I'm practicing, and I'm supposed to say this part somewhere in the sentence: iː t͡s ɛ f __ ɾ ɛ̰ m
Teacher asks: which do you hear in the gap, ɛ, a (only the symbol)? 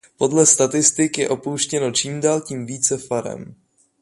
a